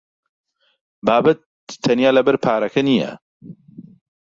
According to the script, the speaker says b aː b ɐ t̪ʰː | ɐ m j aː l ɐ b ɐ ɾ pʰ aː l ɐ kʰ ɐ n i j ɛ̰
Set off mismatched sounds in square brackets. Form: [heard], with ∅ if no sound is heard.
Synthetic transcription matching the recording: b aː b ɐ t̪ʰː | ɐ [n] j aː l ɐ b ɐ ɾ pʰ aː [ɾ] ɐ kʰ ɐ n i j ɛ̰